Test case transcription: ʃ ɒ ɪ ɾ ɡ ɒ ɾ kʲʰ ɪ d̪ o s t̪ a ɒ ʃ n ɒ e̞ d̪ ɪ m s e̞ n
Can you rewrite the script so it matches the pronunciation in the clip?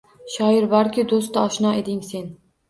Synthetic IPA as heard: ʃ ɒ ɪ ɾ b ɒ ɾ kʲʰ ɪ d̪ o s t̪ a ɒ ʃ n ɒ e̞ d̪ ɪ ŋ s e̞ n